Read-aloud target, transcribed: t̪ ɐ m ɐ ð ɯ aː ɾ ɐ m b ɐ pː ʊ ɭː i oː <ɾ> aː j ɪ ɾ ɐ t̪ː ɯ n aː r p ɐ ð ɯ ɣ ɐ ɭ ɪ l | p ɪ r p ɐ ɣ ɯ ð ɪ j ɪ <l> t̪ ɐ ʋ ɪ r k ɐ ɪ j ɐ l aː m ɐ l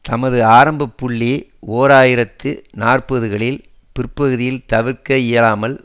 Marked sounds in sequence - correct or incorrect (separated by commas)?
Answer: correct, correct